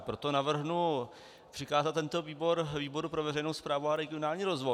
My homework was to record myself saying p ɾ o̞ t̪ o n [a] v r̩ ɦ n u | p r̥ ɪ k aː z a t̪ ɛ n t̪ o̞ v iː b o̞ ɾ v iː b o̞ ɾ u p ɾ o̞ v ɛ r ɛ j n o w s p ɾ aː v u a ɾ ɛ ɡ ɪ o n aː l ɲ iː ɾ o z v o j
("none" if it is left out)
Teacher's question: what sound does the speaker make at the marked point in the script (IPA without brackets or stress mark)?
a